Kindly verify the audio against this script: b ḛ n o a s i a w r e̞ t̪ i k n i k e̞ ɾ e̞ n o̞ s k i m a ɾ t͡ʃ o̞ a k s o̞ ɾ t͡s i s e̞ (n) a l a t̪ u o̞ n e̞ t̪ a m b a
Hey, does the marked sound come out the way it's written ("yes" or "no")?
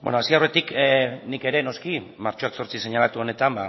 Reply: no